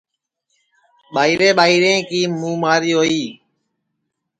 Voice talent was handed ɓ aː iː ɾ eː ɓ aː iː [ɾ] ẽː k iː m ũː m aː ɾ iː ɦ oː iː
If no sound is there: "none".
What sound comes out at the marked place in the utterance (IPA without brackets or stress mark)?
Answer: ɾ